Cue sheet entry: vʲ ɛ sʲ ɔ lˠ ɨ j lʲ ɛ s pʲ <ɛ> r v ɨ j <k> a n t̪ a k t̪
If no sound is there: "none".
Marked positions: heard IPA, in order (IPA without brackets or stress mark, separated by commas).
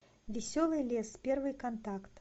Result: ɛ, k